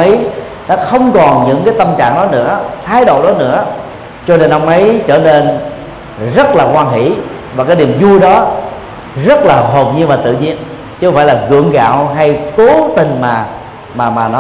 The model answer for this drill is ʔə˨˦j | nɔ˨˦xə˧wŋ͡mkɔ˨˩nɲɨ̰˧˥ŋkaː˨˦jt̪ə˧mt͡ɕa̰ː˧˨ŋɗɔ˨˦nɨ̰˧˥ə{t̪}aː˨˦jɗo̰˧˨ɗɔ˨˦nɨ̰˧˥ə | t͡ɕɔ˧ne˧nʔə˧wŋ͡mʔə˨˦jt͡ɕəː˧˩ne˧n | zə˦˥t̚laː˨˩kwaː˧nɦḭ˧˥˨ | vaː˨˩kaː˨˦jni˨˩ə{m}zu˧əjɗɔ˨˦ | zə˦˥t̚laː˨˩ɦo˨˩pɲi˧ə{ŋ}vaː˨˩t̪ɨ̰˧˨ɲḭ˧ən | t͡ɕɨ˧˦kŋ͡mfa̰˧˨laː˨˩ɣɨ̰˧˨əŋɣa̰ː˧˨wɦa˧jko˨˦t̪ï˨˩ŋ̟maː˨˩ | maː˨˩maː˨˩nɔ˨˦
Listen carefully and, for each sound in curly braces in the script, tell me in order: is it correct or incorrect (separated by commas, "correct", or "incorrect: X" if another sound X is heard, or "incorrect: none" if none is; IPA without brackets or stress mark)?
incorrect: t̪ʰ, correct, incorrect: n